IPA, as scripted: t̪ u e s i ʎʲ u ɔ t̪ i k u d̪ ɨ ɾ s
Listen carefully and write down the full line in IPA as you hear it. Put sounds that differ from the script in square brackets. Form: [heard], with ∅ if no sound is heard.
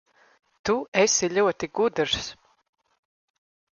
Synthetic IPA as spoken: t̪ u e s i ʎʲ u ɔ t̪ i [ɡ] u d̪ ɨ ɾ s